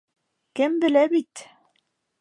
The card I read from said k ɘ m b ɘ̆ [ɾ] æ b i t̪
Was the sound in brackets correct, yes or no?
no